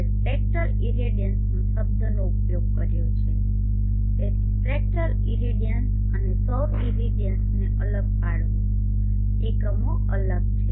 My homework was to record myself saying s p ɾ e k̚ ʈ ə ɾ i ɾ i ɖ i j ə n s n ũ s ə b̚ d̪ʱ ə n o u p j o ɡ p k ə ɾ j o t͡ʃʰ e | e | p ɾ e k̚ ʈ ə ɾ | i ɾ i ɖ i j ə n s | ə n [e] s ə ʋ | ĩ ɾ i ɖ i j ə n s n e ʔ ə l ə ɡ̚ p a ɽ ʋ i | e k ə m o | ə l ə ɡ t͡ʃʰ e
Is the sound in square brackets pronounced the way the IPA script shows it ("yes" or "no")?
yes